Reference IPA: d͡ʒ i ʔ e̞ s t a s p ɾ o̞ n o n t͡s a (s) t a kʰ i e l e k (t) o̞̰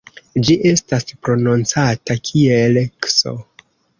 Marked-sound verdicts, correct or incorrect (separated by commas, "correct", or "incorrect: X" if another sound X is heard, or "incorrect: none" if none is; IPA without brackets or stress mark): incorrect: none, incorrect: s